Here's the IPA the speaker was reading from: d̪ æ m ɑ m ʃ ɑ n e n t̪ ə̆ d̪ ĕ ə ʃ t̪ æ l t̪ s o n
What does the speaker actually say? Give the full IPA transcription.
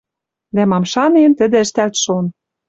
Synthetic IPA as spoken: d̪ æ m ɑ m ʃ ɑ n e n t̪ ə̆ d̪ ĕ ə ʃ t̪ æ l t̪ ʃ o n